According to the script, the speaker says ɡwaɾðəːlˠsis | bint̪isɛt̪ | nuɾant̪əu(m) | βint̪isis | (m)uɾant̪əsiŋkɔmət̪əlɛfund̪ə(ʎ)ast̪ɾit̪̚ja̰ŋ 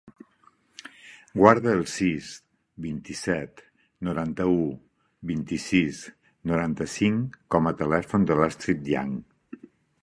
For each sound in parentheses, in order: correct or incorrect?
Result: incorrect, incorrect, incorrect

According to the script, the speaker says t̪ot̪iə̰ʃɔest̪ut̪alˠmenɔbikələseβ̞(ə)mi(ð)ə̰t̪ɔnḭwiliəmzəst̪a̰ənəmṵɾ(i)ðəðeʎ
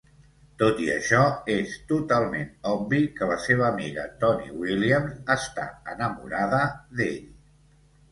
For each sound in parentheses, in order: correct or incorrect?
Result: incorrect, incorrect, incorrect

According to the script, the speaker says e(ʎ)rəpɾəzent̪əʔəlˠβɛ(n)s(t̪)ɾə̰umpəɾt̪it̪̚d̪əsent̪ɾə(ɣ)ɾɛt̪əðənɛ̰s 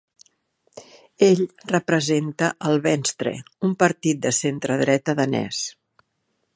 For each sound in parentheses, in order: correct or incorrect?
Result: correct, correct, correct, incorrect

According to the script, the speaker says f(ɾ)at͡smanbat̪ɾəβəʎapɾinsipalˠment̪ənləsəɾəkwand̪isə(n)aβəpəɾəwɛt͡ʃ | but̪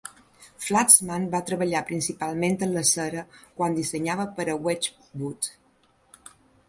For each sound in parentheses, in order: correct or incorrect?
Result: incorrect, incorrect

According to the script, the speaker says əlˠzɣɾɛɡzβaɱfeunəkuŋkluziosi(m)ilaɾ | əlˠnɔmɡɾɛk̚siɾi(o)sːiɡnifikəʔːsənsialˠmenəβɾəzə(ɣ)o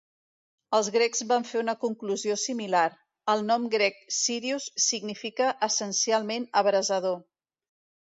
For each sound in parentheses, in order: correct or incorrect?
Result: correct, incorrect, incorrect

